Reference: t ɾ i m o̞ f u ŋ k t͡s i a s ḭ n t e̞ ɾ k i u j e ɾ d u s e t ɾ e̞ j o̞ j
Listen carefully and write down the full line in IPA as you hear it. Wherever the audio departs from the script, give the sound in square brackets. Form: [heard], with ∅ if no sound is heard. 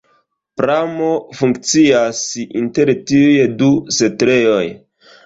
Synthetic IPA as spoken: [p] ɾ [a] m o̞ f u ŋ k t͡s i a s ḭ n t e̞ ɾ [t] i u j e [∅] d u s e t ɾ e̞ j o̞ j